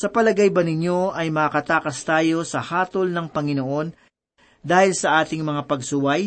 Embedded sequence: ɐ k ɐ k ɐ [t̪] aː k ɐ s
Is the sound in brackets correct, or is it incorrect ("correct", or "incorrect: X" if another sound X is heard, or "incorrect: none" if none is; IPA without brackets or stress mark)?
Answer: correct